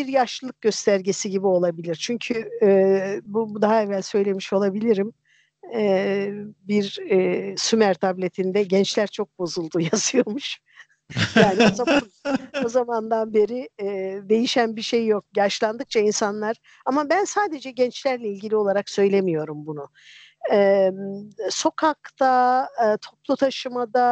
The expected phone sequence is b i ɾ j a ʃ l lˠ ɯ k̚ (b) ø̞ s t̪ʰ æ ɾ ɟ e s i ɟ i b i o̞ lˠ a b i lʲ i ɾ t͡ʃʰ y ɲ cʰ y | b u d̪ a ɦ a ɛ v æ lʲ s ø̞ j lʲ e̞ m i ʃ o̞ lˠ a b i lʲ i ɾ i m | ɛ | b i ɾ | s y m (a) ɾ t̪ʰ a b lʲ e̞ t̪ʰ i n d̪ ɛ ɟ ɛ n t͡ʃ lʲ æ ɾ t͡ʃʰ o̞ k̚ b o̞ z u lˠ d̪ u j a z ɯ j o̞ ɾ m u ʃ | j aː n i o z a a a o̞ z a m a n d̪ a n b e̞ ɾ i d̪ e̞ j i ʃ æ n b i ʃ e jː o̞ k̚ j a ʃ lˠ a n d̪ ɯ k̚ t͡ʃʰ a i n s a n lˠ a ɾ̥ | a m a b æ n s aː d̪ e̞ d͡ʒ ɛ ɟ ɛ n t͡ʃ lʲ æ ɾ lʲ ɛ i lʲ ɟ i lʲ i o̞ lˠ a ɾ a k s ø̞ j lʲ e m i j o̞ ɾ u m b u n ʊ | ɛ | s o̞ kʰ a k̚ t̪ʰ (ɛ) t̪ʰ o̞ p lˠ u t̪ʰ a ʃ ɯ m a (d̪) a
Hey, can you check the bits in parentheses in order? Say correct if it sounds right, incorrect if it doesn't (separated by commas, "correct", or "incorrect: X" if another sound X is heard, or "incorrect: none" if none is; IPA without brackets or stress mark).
incorrect: ɟ, incorrect: æ, incorrect: a, correct